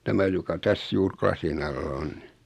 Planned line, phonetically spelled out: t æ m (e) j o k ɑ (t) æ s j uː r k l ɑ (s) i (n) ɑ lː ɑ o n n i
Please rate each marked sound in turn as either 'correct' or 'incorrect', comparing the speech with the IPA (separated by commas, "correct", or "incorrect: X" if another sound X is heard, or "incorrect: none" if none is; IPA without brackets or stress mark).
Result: incorrect: æ, correct, correct, correct